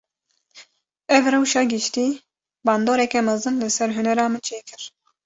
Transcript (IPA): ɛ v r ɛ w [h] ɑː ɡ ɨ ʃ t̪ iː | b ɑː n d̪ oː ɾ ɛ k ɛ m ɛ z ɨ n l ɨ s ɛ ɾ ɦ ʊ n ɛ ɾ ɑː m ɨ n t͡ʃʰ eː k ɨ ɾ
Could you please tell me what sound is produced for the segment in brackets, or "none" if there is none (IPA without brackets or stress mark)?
ʃ